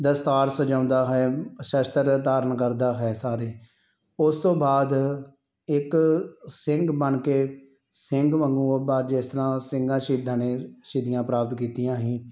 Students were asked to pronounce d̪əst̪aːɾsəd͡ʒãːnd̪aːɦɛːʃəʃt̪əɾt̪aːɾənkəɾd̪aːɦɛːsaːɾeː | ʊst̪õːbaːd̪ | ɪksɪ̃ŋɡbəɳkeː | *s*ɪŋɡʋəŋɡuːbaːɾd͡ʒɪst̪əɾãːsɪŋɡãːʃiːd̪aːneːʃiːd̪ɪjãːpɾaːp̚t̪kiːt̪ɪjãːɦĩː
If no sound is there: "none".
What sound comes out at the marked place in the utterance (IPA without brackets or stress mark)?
s